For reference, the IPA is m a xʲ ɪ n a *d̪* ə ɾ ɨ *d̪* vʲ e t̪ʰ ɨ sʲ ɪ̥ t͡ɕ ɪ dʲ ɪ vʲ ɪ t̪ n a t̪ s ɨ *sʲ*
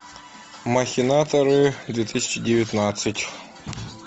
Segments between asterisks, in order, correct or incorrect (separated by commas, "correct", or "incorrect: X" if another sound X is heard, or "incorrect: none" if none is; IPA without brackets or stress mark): incorrect: t̪, correct, incorrect: tʲ